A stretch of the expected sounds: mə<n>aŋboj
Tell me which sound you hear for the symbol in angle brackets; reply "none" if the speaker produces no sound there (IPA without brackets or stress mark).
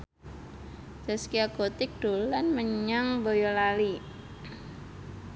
ɲ